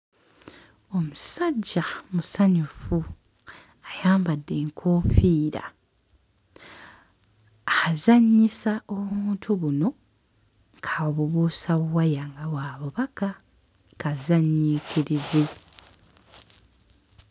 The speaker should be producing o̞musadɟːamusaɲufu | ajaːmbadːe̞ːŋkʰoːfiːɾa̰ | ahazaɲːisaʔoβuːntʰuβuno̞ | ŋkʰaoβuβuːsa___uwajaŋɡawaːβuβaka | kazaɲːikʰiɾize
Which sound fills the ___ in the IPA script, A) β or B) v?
A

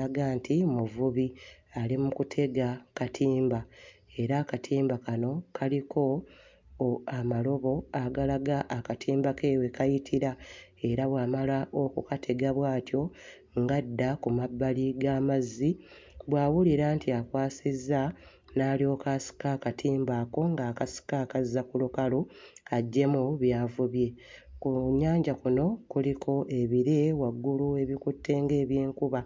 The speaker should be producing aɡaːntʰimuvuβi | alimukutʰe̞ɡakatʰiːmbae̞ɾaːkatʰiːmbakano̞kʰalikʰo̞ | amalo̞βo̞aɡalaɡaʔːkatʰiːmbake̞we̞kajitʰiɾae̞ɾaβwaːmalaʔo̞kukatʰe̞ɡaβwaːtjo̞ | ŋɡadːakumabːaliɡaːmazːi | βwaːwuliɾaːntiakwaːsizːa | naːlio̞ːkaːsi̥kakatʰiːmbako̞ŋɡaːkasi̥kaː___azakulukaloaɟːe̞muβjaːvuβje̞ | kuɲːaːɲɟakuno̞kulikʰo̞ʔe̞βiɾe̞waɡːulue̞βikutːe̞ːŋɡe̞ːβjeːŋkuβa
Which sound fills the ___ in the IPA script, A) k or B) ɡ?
A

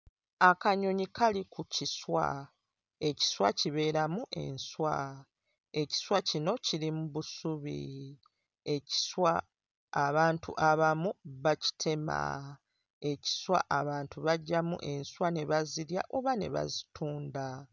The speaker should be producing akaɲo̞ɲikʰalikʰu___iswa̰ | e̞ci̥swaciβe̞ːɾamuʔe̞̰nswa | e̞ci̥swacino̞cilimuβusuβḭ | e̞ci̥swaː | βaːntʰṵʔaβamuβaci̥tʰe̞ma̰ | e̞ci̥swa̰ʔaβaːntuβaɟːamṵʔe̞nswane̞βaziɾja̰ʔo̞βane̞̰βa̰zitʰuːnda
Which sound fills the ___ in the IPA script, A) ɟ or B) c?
B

